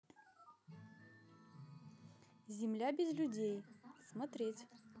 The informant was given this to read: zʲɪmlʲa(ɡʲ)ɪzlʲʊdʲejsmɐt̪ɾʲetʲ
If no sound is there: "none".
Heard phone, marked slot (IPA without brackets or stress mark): bʲ